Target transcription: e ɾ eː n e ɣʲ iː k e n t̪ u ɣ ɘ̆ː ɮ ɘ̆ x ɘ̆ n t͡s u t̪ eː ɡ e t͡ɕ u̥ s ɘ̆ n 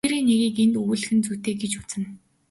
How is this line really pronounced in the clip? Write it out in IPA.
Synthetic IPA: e ɾ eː n e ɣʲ iː k e n t̪ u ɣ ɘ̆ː ɮ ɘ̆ x ɘ̆ n t͡s u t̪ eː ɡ e t͡ɕ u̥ t͡s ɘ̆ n